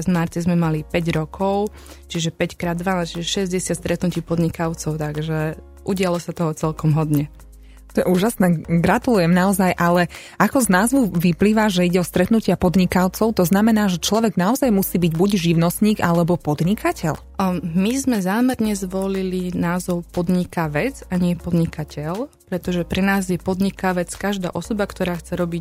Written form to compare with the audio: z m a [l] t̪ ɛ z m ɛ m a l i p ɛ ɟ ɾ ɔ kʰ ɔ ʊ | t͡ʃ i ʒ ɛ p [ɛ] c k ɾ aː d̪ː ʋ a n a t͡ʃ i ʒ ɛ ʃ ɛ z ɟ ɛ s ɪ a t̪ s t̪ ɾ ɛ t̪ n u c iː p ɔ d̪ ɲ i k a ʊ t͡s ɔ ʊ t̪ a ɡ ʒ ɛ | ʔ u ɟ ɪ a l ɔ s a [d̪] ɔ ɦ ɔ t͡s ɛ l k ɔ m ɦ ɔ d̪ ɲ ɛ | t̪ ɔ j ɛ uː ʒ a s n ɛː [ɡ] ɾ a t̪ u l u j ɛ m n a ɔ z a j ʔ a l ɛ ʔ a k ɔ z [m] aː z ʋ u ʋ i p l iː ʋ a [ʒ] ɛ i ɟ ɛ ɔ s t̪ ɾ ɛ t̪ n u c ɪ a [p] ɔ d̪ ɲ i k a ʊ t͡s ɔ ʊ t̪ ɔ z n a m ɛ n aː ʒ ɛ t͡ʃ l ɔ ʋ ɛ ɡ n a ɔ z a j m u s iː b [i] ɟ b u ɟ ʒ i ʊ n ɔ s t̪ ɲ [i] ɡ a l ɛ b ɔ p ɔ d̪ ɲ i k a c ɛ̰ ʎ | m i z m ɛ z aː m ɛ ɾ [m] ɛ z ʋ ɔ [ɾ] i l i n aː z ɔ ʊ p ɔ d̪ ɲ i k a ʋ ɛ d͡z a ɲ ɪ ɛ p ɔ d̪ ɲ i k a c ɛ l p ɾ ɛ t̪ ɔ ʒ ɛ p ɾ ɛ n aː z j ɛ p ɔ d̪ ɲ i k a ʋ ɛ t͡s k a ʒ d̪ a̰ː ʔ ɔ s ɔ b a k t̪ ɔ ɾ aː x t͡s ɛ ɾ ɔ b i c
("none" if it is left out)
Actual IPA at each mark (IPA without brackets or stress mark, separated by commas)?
ɾ, ɛ, t̪, ɡ, n, ʒ, p, i, iː, ɲ, l